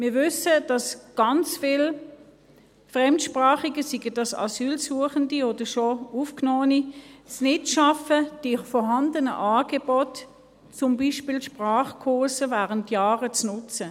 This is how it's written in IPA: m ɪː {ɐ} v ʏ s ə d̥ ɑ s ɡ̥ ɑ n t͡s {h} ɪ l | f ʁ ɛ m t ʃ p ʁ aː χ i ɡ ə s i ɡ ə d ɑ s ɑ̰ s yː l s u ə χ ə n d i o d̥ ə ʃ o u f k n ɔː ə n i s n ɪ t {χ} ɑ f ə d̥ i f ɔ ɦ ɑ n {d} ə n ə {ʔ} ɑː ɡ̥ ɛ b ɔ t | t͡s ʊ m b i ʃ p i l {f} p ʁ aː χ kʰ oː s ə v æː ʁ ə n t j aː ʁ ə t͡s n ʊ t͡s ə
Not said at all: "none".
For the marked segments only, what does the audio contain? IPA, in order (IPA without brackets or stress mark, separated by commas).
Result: ɐ, f, ʃ, d, ʔ, ʃ